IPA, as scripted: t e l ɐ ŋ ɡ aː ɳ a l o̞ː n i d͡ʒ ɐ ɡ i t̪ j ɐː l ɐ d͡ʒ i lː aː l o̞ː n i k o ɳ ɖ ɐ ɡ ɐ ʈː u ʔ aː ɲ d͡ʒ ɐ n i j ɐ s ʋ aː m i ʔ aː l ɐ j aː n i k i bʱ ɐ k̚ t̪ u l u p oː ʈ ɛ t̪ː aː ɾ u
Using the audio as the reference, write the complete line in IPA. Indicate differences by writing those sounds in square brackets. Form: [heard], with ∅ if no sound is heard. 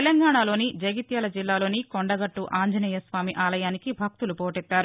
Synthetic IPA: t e l ɐ ŋ ɡ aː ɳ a l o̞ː n i d͡ʒ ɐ ɡ i t̪ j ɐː l ɐ d͡ʒ i lː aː l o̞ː n i k o ɳ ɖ ɐ ɡ ɐ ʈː u ʔ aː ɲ d͡ʒ ɐ n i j ɐ s ʋ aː m i ʔ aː l ɐ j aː n i k i bʱ ɐ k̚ t̪ u l u p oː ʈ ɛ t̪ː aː ɾ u